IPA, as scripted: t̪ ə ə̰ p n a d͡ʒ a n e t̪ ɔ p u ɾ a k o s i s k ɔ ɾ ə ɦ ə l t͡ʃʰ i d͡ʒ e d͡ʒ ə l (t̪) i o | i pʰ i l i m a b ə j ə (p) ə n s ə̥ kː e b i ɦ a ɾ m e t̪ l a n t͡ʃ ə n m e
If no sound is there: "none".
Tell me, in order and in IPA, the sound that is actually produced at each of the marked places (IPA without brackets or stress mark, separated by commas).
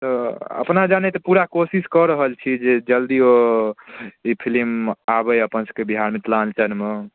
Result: d̪, p